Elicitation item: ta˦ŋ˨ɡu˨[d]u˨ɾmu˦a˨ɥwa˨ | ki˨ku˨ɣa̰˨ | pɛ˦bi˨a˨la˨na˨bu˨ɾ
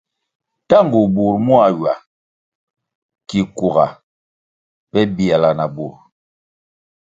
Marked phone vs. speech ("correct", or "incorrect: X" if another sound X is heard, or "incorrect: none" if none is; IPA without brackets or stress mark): incorrect: b